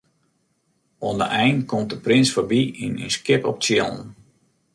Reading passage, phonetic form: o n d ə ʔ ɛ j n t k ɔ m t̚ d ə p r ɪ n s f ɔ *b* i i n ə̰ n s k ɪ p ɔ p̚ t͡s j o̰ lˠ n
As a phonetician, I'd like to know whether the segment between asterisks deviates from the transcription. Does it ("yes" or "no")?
no